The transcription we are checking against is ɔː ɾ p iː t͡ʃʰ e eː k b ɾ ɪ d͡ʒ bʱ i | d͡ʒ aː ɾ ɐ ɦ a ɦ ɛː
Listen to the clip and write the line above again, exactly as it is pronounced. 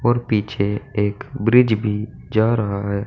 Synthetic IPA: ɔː ɾ p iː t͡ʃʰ e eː k b ɾ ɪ d͡ʒ bʱ i | d͡ʒ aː ɾ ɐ ɦ a ɦ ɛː